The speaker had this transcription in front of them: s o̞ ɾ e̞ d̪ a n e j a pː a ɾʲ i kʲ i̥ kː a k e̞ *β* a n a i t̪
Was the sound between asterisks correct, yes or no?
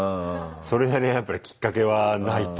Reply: yes